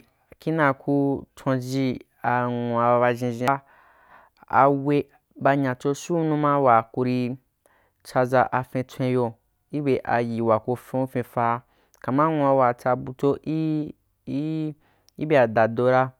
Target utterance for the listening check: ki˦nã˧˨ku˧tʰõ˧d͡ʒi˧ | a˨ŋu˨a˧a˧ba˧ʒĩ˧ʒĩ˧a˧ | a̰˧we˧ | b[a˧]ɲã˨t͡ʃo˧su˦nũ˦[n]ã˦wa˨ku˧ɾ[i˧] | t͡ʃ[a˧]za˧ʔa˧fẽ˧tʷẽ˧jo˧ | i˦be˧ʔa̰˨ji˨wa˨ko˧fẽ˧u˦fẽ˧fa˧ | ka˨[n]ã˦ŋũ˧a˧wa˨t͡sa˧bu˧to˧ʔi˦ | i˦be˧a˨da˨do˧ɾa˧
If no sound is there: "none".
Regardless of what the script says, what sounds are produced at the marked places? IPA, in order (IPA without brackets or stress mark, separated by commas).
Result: a˧, m, i˧, a˧, m